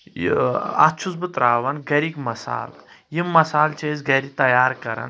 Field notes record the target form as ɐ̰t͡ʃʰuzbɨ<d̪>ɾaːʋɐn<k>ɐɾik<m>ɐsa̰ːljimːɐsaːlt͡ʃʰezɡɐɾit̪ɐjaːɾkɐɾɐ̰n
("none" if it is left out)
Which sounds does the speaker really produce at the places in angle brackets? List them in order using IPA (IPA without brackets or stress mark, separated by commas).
t̪, ɡ, m